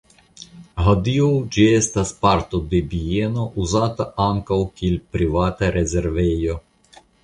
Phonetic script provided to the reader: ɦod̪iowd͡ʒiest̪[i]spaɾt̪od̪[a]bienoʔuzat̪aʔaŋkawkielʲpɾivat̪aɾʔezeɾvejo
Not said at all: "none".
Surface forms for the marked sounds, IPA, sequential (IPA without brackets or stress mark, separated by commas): a, e